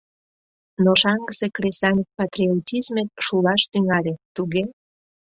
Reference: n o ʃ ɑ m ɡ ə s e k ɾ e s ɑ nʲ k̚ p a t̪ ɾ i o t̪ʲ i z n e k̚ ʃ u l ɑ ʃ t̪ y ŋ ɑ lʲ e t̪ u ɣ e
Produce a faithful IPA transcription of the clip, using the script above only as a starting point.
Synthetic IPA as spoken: n o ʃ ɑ ŋ ɡ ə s e k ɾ e s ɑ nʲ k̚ p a t̪ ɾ i o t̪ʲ i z m e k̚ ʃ u l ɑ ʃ t̪ y ŋ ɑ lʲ e t̪ u ɣ e

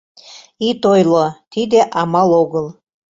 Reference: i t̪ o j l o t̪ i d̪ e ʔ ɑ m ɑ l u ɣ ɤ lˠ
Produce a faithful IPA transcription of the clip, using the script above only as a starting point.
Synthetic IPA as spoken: i t̪ o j l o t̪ i d̪ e ʔ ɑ m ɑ l o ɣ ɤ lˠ

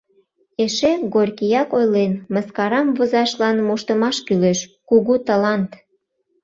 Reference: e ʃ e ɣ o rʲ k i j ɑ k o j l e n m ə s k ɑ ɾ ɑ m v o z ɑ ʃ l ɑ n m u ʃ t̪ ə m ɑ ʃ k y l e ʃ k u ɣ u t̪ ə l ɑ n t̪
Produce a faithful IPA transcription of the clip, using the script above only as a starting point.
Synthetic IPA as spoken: e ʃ e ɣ o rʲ k i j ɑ k o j l e n m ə s k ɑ ɾ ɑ m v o z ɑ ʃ l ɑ n m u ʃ t̪ ə m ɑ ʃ k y l e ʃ k u ɣ u t̪ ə l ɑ n t̪

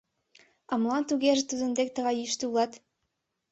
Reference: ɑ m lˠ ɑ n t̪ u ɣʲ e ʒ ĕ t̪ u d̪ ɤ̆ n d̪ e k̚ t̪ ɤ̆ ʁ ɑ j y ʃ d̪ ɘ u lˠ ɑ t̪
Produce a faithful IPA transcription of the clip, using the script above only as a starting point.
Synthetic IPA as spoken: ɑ m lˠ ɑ n t̪ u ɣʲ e ʒ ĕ t̪ u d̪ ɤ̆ n d̪ e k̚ t̪ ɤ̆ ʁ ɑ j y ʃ t̪ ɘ u lˠ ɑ t̪

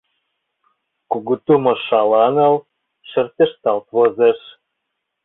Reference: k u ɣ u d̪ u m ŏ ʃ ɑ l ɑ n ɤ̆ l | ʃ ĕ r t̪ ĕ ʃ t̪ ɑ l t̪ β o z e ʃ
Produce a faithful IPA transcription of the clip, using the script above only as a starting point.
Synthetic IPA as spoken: k u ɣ u t̪ u m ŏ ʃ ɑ l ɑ n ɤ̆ l | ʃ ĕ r t̪ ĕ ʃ t̪ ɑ l t̪ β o z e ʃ

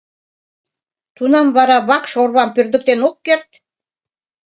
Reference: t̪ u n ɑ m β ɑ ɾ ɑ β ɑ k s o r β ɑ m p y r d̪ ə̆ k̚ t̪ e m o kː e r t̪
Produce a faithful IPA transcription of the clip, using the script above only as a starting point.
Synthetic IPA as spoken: t̪ u n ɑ m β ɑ ɾ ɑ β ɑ k ʃ o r β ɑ m p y r d̪ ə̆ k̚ t̪ e n o kː e r t̪

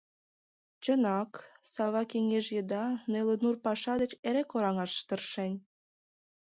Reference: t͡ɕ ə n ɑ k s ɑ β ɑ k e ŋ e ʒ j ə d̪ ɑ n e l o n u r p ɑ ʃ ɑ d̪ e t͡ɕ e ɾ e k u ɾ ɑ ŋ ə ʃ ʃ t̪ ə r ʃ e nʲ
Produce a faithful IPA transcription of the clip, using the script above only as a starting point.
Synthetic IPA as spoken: t͡ɕ ə n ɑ k s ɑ β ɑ k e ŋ e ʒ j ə d̪ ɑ n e l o n u r p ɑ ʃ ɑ d̪ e t͡ɕ e ɾ e k o ɾ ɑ ŋ ɑ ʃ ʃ t̪ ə r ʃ e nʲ

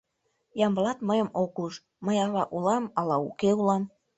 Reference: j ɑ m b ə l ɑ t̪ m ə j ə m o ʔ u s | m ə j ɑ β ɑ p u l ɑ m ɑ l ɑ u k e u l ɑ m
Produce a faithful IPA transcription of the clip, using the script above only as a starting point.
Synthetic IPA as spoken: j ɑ m b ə l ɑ t̪ m ə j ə m o k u ʃ | m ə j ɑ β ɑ ʔ u l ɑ m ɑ l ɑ u k e u l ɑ m

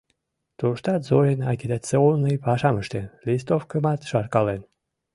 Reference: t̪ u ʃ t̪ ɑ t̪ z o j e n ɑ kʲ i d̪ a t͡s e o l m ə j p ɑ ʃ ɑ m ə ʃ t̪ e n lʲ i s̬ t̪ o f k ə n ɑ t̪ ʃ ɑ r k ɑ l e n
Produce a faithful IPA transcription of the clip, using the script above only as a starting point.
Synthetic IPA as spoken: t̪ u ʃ t̪ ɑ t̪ z o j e n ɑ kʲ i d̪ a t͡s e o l n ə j p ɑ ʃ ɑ m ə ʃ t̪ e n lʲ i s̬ t̪ o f k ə m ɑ t̪ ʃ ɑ r k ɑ l e n

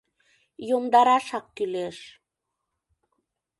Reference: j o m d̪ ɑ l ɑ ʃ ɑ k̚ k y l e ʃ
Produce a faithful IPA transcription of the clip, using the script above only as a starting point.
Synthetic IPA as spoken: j o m d̪ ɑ ɾ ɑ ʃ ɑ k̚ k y l e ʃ

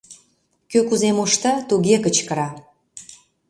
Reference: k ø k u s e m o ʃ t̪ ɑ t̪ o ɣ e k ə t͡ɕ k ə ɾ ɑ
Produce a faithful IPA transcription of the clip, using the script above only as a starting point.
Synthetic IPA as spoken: k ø k u z e m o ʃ t̪ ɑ t̪ u ɣ e k ə t͡ɕ k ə ɾ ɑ

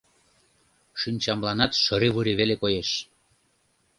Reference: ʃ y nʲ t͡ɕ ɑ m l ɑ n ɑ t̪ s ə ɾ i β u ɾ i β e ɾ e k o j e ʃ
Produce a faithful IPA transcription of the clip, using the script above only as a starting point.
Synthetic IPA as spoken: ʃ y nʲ t͡ɕ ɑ m l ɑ n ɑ t̪ ʃ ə ɾ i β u ɾ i β e l e k o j e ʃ

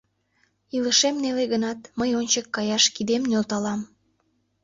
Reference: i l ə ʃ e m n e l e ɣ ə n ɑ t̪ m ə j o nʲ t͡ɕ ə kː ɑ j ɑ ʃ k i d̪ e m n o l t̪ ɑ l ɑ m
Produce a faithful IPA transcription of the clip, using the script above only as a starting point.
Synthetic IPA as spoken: i l ə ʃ e m n e l e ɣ ə n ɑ t̪ m ə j o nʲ t͡ɕ ə kː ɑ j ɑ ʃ k i d̪ e m n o l t̪ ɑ l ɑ m

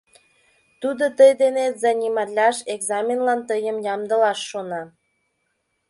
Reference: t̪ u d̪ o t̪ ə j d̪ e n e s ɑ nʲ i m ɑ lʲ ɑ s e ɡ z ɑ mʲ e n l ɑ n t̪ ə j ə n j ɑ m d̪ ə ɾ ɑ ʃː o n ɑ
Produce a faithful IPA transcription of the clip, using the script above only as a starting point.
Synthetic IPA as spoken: t̪ u d̪ o t̪ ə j d̪ e n e z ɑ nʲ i m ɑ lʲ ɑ ʃ e ɡ z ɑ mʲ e n l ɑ n t̪ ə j ə m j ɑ m d̪ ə l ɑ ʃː o n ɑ

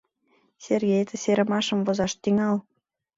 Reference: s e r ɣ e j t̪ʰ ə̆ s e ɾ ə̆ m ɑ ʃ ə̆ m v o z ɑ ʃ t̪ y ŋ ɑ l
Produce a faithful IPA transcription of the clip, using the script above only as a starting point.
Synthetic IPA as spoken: s e r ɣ e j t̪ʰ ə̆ s e ɾ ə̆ m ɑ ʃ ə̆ m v o z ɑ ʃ t̪ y ŋ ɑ l

